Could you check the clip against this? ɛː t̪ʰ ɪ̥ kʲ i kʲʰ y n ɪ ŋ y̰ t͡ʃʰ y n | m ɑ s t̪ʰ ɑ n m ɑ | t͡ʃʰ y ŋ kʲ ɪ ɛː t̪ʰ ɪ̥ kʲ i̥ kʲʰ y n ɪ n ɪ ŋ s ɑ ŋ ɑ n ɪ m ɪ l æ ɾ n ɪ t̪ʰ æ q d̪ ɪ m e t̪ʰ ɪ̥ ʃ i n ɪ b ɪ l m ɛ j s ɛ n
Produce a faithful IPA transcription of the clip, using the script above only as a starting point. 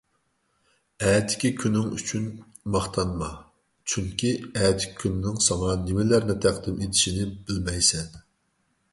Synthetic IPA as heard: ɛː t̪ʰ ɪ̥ kʲ i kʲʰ y n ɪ ŋ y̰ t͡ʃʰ y n | m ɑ χ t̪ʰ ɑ n m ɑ | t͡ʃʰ y ŋ kʲ i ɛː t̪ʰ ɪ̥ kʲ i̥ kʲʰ y n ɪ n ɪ ŋ s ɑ ŋ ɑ n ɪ m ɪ l æ ɾ n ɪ t̪ʰ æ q d̪ ɪ m e t̪ʰ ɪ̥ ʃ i n ɪ b ɪ l m ɛ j s ɛ n